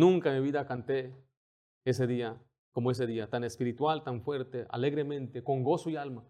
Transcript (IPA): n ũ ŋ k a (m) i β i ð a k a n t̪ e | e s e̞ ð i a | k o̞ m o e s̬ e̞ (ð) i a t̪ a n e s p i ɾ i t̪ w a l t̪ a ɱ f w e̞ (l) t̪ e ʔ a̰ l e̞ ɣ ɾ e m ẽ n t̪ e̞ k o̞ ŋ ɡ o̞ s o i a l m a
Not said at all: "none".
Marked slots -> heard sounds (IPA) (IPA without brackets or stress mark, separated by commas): m, ð, ɾ